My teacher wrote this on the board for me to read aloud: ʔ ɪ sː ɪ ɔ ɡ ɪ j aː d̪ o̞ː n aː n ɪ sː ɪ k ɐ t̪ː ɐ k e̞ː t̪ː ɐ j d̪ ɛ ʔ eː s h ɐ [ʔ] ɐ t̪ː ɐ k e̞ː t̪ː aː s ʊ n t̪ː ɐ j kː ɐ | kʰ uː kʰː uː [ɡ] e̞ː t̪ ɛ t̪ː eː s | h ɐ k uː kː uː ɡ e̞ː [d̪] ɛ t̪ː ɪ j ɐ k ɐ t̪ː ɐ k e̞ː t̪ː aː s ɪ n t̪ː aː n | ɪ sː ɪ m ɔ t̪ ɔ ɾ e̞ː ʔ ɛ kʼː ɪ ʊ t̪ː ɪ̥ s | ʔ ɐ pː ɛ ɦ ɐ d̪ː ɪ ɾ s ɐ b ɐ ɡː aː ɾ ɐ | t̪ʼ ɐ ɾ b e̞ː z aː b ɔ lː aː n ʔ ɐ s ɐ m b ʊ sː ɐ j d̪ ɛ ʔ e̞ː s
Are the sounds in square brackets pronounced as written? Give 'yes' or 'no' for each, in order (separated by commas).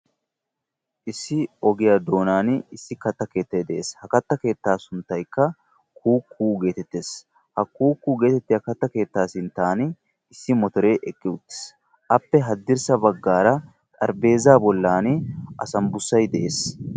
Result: no, yes, no